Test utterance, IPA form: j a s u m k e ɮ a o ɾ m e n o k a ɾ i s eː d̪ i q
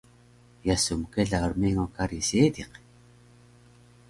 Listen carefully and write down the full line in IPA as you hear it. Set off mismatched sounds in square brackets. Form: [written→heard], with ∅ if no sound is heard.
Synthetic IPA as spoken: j a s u m k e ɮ a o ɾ m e [n→ŋ] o k a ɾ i s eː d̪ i q